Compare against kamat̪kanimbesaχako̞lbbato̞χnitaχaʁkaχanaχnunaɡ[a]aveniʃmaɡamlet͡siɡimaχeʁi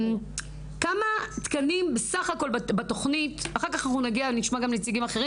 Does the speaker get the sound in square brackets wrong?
yes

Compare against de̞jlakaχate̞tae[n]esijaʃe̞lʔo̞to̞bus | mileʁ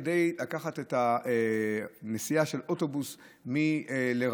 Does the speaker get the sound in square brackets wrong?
no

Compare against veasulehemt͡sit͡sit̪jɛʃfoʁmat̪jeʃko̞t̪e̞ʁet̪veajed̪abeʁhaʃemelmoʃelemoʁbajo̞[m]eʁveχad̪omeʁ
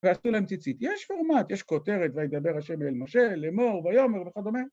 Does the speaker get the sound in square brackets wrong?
no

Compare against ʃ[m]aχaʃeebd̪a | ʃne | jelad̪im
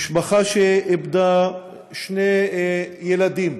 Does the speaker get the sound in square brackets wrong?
yes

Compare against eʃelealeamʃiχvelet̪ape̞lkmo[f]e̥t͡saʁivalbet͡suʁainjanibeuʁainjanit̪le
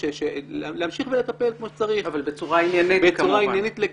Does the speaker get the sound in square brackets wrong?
yes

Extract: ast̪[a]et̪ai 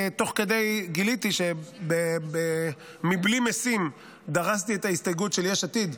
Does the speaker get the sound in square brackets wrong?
yes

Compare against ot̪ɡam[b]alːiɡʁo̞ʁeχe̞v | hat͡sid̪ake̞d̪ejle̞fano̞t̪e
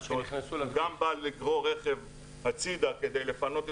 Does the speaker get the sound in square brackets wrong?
no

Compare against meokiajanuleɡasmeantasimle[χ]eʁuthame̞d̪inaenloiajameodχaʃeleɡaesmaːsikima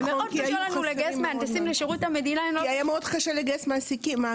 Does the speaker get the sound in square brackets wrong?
yes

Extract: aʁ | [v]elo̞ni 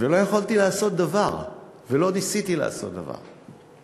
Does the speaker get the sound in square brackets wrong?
no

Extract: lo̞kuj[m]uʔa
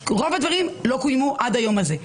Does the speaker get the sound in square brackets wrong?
no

